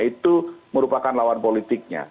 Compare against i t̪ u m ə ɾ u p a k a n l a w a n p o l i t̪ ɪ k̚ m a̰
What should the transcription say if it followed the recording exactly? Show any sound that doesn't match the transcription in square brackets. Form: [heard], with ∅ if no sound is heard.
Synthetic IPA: i t̪ u m ə ɾ u p a k a n l a w a n p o l i t̪ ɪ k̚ [ɲ] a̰